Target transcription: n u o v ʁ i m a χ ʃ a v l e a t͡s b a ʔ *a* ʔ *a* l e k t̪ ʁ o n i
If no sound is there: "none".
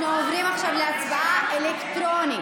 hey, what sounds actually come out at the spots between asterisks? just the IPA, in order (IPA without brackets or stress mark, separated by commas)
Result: a, e